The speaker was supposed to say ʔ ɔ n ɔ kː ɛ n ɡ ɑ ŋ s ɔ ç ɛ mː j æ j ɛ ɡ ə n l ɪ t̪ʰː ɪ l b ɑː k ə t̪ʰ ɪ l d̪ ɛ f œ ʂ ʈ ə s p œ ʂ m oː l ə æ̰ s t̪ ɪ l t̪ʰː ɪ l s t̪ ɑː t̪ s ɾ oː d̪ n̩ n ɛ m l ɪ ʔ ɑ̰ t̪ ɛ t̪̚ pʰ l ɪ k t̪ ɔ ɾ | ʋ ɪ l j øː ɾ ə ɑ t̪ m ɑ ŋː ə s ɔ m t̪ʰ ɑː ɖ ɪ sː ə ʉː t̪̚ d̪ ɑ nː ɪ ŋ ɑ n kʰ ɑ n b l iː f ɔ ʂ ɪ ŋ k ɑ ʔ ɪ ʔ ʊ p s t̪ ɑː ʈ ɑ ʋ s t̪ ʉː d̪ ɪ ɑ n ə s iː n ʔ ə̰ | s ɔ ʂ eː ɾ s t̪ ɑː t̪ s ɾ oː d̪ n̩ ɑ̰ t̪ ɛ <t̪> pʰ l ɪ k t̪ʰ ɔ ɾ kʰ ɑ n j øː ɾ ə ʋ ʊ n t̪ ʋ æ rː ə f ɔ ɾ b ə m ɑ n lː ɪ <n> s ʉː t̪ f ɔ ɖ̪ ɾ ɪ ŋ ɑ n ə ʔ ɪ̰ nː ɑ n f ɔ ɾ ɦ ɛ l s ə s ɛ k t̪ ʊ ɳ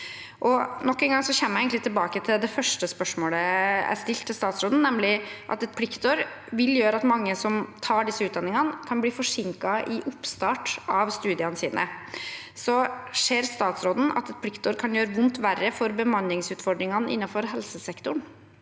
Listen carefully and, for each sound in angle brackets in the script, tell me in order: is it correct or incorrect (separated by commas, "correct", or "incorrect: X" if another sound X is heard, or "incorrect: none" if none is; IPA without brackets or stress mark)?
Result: correct, incorrect: ŋ